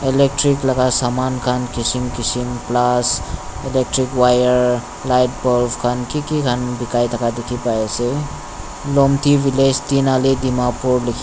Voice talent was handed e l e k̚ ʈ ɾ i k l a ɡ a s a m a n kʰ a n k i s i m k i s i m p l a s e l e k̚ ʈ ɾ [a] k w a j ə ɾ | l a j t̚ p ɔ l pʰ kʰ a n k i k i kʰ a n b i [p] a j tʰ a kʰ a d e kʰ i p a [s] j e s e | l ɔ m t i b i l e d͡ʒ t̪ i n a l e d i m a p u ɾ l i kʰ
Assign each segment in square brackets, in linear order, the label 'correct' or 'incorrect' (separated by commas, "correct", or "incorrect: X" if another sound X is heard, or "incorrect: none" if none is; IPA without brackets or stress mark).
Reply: incorrect: i, incorrect: k, incorrect: none